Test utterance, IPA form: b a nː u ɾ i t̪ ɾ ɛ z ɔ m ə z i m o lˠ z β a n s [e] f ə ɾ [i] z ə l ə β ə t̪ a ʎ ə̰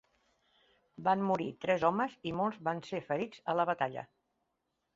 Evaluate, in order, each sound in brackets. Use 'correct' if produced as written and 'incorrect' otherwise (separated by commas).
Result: correct, correct